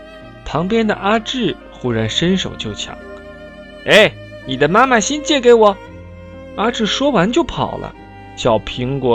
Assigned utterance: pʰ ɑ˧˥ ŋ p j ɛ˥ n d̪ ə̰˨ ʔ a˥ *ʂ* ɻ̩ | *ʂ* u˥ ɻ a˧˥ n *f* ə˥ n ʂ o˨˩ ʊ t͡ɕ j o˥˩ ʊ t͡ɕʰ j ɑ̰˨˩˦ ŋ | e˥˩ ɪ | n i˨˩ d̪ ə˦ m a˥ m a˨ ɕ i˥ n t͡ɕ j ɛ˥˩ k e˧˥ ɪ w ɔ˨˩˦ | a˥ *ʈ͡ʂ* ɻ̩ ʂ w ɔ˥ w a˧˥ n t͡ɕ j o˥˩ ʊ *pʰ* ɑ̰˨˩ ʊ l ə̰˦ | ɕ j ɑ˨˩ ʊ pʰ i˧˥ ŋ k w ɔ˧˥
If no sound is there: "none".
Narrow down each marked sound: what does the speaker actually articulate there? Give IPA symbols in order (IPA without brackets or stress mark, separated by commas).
ʈ͡ʂ, x, ʂ, ʈ͡ʂ, pʰ